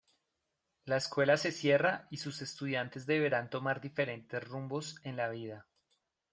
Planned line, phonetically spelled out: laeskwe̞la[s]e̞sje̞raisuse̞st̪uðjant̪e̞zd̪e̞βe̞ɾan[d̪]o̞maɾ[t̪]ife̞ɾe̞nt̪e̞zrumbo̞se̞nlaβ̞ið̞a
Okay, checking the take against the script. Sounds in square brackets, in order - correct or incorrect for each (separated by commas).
correct, incorrect, incorrect